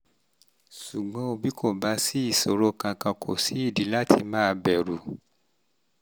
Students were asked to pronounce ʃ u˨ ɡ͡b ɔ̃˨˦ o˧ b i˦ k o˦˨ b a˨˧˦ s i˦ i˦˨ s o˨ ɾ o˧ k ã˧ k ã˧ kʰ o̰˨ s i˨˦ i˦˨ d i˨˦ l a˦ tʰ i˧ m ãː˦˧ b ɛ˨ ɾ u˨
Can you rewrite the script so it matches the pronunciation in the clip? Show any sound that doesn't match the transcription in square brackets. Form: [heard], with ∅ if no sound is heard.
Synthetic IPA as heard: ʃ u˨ ɡ͡b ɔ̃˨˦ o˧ b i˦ k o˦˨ b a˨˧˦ s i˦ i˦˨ s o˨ ɾ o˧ k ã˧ k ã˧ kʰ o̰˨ s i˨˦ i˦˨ d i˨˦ l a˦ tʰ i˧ m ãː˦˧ b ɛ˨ ɾ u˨